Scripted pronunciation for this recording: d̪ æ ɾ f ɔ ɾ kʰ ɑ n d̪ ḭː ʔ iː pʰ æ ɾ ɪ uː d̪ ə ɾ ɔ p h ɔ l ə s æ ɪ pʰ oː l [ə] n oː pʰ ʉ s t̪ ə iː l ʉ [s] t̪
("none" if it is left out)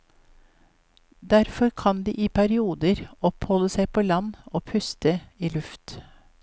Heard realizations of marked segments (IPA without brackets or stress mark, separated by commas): ɑ, f